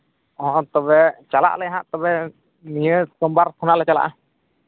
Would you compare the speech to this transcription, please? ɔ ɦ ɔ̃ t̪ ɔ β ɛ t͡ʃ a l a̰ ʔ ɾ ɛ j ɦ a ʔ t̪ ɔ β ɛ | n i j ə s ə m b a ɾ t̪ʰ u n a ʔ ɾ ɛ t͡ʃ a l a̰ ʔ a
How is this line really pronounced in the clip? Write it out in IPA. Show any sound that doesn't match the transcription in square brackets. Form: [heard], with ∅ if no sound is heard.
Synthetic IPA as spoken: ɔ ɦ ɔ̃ t̪ ɔ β ɛ t͡ʃ a l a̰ ʔ [l] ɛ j ɦ a ʔ t̪ ɔ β ɛ | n i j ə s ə m b a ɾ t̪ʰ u n a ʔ [l] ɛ t͡ʃ a l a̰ ʔ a

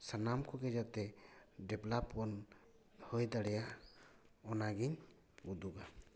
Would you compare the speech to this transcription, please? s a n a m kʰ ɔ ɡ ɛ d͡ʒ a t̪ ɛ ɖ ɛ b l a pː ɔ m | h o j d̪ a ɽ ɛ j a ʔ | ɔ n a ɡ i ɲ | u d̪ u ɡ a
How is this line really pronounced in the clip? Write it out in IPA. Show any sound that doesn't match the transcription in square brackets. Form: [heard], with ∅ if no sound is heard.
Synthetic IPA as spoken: s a n a m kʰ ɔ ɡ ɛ d͡ʒ a t̪ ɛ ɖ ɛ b l a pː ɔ [n] | h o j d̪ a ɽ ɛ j a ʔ | ɔ n a ɡ i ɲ | u d̪ u ɡ a

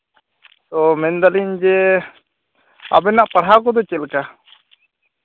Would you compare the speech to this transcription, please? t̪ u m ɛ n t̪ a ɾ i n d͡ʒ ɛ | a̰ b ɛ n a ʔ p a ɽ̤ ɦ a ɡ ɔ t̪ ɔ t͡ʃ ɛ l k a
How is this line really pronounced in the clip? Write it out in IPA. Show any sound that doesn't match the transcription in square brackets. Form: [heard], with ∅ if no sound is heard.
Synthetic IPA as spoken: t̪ [ɔ] m ɛ n [d̪] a [l] i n d͡ʒ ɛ | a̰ b ɛ n a ʔ p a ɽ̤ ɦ a [k] ɔ [d̪] ɔ t͡ʃ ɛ l k a

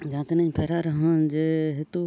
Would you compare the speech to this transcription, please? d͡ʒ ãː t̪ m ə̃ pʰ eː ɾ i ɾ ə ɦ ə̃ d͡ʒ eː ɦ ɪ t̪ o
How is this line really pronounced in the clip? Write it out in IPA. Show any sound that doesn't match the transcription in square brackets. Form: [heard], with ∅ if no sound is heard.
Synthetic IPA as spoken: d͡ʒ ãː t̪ [n] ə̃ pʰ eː ɾ [a] ɾ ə ɦ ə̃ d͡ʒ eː ɦ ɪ t̪ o

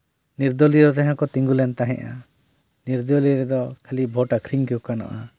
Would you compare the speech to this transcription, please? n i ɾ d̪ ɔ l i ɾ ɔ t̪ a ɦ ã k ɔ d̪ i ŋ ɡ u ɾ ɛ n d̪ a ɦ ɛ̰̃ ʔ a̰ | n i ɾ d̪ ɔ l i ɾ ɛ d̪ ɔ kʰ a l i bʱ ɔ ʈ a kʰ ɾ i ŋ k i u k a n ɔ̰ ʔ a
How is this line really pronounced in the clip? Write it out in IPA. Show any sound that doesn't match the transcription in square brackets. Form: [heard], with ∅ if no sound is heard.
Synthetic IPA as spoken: n i ɾ d̪ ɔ l i ɾ ɔ t̪ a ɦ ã k ɔ [t̪] i ŋ ɡ u [l] ɛ n [t̪] a ɦ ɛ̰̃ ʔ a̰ | n i ɾ d̪ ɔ l i ɾ ɛ d̪ ɔ kʰ a l i bʱ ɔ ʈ a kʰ ɾ i ŋ k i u k a n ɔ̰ ʔ a

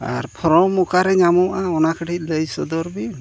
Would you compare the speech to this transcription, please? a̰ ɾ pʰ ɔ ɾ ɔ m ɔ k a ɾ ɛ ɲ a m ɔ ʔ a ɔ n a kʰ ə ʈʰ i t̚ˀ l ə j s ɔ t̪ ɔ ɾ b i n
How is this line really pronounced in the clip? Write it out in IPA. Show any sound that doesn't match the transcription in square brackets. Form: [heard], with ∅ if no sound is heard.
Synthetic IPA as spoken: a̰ ɾ pʰ ɔ ɾ ɔ m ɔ k a ɾ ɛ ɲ a m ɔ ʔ a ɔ n a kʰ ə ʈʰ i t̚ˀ l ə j s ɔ [d̪] ɔ ɾ b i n

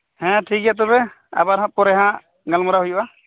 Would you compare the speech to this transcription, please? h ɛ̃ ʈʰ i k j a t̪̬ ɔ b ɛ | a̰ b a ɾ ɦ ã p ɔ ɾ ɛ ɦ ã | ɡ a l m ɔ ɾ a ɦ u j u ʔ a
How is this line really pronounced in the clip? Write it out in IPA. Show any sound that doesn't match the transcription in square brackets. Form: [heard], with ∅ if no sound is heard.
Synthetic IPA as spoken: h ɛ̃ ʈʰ i k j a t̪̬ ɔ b ɛ | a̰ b a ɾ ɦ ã p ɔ ɾ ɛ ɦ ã | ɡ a l m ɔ ɾ a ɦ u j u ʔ a

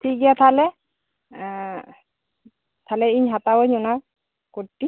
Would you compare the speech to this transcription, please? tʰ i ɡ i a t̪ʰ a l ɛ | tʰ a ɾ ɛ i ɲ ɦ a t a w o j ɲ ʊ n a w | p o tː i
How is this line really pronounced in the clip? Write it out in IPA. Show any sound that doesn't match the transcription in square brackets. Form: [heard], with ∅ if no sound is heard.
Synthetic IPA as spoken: tʰ i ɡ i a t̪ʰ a l ɛ | tʰ a [l] ɛ i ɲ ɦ a t a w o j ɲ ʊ n a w | [k] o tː i

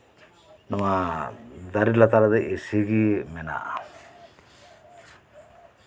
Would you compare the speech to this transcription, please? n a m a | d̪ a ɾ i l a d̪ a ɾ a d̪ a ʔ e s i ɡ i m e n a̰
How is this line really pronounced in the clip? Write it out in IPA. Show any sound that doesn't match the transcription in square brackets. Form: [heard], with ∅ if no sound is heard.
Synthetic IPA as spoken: n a m a | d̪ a ɾ i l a [t̪] a ɾ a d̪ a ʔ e s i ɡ i m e n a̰

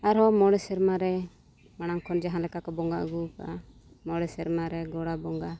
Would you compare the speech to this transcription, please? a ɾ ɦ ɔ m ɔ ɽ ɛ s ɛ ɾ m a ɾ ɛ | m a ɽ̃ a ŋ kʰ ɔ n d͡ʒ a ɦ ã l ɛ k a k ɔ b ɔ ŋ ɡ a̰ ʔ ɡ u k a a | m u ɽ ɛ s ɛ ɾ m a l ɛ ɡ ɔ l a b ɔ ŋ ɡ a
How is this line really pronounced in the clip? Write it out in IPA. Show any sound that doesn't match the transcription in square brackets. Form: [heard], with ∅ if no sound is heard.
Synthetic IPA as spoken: a ɾ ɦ ɔ m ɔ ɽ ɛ s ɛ ɾ m a ɾ ɛ | m a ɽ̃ a ŋ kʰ ɔ n d͡ʒ a ɦ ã l ɛ k a k ɔ b ɔ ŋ ɡ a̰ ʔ ɡ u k a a | m [ɔ] ɽ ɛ s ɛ ɾ m a [ɾ] ɛ ɡ ɔ [ɽ] a b ɔ ŋ ɡ a

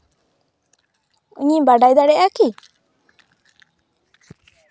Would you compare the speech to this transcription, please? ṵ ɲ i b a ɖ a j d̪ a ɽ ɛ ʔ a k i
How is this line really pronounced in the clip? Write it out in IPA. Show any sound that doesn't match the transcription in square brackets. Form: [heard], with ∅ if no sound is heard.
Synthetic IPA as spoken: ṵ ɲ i b a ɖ a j d̪ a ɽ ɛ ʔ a k i

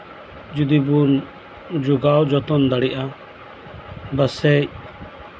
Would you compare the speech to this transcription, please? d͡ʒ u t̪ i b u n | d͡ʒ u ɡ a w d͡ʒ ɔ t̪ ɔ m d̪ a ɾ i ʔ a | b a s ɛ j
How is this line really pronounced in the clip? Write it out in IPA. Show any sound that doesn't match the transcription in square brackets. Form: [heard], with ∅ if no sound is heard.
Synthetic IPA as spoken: d͡ʒ u [d̪] i b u n | d͡ʒ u ɡ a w d͡ʒ ɔ t̪ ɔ [n] d̪ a [ɽ] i ʔ a | b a s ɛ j

